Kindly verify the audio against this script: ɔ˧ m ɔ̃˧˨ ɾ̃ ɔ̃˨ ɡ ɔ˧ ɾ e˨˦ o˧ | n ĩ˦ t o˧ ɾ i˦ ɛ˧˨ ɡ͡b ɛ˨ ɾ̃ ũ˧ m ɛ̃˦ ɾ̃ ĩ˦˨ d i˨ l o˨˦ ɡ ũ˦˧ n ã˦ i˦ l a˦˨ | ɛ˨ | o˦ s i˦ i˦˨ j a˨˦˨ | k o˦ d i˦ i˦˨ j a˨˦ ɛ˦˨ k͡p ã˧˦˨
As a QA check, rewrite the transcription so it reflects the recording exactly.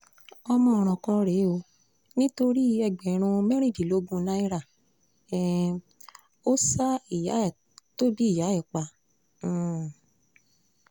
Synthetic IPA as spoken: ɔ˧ m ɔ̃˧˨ ɾ̃ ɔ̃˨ k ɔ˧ ɾ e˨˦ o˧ | n ĩ˦ t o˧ ɾ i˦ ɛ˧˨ ɡ͡b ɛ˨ ɾ̃ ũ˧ m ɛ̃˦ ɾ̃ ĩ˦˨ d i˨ l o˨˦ ɡ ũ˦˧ n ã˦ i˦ ɾ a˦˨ | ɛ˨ | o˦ s a˦ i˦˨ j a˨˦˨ | t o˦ d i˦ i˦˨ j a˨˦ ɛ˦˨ k͡p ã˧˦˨